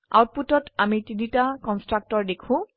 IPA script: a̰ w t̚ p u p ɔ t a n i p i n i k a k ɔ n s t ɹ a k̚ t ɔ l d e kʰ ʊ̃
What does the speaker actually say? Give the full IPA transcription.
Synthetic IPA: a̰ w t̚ p u t ɔ t a m i t i n i t a k ɔ n s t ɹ a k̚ t ɔ ɹ d e kʰ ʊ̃